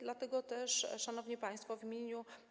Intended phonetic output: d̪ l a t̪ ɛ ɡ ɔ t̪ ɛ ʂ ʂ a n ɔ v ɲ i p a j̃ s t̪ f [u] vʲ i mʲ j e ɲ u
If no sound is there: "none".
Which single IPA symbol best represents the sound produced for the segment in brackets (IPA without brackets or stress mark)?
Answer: ɔ